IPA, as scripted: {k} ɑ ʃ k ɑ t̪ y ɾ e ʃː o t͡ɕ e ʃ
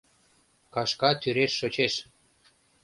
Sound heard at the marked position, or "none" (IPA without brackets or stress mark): k